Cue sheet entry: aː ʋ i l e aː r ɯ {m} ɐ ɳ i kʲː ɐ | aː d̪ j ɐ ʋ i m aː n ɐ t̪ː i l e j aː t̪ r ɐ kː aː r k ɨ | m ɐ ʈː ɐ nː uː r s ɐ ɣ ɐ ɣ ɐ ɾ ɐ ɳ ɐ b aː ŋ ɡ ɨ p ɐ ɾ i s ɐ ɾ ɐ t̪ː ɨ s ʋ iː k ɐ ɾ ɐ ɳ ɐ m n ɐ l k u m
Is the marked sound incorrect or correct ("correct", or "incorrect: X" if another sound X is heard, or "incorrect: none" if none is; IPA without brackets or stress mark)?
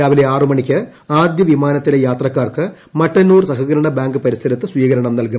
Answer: correct